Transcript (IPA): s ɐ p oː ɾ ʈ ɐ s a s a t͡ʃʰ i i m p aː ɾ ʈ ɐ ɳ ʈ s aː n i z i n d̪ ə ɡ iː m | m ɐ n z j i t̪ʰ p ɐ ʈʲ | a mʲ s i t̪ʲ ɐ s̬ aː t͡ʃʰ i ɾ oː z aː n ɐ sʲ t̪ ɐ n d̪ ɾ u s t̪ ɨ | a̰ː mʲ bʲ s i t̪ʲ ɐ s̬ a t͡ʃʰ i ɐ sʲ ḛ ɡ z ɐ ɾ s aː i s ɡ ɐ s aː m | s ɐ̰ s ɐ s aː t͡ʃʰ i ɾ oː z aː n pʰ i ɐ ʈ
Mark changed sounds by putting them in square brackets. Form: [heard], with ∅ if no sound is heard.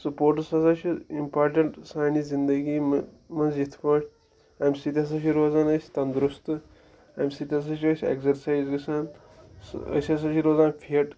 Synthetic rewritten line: s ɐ p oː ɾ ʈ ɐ s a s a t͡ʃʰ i i m p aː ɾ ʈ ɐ ɳ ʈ s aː n i z i n d̪ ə ɡ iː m | m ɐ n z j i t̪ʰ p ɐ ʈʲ | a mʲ s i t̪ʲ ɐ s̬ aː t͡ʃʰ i ɾ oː z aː n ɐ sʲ t̪ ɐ n d̪ ɾ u s t̪ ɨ | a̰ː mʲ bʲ s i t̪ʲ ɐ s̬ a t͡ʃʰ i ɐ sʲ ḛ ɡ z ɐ ɾ s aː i [z] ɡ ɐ s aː [n] | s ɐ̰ s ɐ s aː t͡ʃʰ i ɾ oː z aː n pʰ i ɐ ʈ